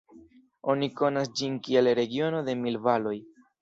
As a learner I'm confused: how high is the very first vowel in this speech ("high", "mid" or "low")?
mid